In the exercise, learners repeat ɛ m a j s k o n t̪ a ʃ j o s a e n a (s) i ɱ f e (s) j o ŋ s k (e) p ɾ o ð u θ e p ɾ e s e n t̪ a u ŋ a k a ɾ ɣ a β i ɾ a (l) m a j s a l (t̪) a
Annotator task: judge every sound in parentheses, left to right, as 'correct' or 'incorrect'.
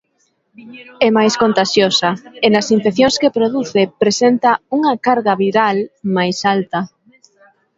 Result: correct, incorrect, correct, correct, correct

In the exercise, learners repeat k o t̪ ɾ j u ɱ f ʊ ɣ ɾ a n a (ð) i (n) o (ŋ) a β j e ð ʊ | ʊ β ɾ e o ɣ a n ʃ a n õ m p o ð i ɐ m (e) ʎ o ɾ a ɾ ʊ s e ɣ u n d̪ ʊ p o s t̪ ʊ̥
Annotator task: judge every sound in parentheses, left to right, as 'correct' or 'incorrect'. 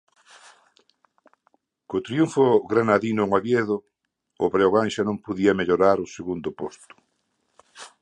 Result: correct, correct, correct, correct

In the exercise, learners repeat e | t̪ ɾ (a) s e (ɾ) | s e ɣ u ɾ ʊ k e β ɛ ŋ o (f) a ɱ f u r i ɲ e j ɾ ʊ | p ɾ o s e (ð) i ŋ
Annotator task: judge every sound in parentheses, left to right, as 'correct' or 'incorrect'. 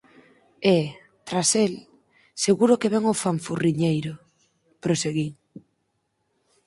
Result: correct, incorrect, correct, incorrect

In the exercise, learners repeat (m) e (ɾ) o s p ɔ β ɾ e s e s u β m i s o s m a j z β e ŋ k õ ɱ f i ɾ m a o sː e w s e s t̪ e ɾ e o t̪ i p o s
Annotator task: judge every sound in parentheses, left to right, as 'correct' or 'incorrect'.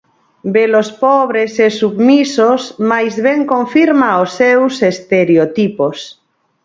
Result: incorrect, incorrect

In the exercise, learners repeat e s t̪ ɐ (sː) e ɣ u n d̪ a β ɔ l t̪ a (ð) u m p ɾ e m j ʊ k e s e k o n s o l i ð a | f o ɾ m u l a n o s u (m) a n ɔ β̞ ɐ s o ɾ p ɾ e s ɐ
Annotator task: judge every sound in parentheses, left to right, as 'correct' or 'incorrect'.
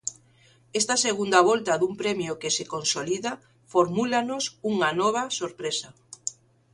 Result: incorrect, correct, incorrect

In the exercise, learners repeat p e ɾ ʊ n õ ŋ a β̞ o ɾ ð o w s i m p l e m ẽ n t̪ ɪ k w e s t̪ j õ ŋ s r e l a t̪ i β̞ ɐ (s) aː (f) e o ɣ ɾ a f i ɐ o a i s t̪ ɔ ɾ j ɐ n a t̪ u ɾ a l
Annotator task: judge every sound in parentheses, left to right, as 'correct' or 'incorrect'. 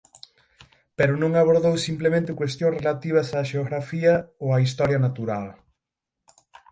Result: correct, incorrect

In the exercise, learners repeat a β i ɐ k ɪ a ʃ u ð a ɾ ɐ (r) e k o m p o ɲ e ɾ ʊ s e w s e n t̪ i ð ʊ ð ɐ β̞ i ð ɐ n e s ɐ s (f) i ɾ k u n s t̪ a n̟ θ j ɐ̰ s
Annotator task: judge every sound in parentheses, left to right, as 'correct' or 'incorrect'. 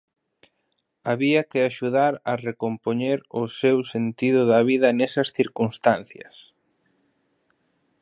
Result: correct, incorrect

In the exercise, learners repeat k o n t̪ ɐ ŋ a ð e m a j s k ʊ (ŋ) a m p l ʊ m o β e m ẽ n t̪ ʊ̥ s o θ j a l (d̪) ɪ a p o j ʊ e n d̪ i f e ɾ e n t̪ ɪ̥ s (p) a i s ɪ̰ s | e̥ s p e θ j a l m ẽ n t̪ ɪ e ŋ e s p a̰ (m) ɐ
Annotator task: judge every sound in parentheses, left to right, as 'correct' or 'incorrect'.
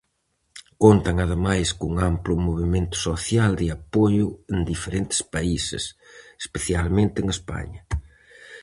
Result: correct, correct, correct, incorrect

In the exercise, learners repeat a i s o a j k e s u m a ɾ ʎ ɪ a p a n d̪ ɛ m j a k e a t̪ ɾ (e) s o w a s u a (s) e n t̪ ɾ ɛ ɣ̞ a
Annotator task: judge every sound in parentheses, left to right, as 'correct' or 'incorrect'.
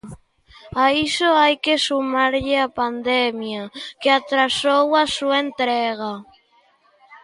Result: incorrect, incorrect

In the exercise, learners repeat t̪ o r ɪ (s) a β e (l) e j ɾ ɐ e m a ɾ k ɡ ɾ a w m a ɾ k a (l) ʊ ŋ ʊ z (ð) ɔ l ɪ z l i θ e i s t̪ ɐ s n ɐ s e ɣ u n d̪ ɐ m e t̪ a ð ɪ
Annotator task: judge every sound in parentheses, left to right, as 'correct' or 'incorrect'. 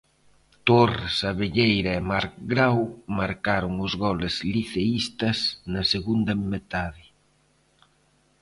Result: correct, incorrect, incorrect, incorrect

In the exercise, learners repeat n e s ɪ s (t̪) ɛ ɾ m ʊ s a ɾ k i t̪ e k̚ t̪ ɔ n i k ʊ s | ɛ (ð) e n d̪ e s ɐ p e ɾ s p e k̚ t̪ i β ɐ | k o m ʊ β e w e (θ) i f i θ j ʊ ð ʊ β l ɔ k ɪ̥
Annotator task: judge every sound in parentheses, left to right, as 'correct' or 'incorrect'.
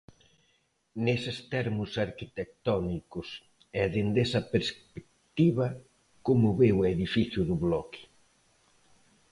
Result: correct, correct, incorrect

